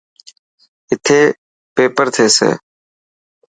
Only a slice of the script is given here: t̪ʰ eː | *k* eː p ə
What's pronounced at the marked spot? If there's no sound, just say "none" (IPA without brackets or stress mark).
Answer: p